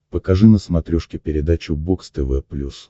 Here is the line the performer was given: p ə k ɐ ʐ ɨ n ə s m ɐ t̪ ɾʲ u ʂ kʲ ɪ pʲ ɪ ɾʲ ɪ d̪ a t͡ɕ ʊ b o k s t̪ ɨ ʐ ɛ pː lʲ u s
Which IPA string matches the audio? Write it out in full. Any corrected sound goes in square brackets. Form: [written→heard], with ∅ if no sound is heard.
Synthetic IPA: p ə k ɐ ʐ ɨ n ə s m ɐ t̪ ɾʲ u ʂ kʲ ɪ pʲ ɪ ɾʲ ɪ d̪ a t͡ɕ ʊ b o k s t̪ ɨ [ʐ→v] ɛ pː lʲ u s